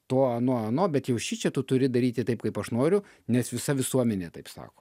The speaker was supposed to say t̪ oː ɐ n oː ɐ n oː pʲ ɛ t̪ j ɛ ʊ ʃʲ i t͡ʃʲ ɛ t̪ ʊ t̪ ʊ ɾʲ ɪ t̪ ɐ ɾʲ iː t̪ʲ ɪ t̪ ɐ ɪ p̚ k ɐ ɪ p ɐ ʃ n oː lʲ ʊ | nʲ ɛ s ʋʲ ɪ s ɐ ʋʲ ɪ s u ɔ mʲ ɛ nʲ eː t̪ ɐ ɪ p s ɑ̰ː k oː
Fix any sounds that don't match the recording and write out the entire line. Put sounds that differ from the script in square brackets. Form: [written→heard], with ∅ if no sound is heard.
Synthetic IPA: t̪ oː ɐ n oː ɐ n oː [pʲ→bʲ] ɛ t̪ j ɛ ʊ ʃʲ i t͡ʃʲ ɛ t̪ ʊ t̪ ʊ ɾʲ ɪ [t̪→d̪] ɐ ɾʲ iː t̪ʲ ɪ t̪ ɐ ɪ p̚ k ɐ ɪ p ɐ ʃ n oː [lʲ→ɾʲ] ʊ | nʲ ɛ s ʋʲ ɪ s ɐ ʋʲ ɪ s u ɔ mʲ ɛ nʲ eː t̪ ɐ ɪ p s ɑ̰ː k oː